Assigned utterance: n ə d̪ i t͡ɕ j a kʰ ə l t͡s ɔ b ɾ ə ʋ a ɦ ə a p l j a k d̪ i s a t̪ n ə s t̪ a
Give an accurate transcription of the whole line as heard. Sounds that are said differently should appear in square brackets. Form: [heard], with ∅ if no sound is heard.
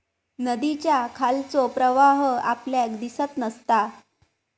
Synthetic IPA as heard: n ə d̪ i t͡ɕ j a kʰ [a] l t͡s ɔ [p] ɾ ə ʋ a ɦ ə a p l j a k d̪ i s [ə] t̪ n ə s t̪ a